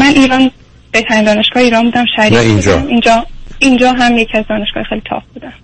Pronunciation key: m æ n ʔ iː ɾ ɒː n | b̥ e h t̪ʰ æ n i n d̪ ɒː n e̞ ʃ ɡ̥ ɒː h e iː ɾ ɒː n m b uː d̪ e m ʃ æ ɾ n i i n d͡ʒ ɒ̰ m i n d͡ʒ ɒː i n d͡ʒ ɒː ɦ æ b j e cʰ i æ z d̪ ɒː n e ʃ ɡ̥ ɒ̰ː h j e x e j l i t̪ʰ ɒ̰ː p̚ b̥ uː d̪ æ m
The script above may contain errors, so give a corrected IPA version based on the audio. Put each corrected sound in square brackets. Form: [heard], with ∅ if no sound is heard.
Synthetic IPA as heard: m æ n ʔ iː ɾ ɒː n | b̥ e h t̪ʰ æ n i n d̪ ɒː n e̞ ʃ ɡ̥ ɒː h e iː ɾ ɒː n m b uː d̪ [æ] m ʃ æ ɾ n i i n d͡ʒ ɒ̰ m i n d͡ʒ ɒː i n d͡ʒ ɒː ɦ æ [m] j e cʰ i æ z d̪ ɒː n e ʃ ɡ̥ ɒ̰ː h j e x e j l i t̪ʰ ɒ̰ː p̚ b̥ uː d̪ æ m